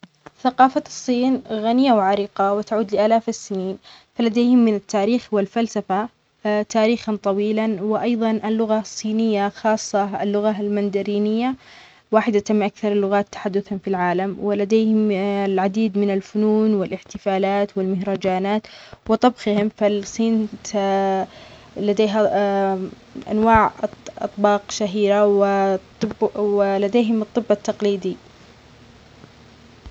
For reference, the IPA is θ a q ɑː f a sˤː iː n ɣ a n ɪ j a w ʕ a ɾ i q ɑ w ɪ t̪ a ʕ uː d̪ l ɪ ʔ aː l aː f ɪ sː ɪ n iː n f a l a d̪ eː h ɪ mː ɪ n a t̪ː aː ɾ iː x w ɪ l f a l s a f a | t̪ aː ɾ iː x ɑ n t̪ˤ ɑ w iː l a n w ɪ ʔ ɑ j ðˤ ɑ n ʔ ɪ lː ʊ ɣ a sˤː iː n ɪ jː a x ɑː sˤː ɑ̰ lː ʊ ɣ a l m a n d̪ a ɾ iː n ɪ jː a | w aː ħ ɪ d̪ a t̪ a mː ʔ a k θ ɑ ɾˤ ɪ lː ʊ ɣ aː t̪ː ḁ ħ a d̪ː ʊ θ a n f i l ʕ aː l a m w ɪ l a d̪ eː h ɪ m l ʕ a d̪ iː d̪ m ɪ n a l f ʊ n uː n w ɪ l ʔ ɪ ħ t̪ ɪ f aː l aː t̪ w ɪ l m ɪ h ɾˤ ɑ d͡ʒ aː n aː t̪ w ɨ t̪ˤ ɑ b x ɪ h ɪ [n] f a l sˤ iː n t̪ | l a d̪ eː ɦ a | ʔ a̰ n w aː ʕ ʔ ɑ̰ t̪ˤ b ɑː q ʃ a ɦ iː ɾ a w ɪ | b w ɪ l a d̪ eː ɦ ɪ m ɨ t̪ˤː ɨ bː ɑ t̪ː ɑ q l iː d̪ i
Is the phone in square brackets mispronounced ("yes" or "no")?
yes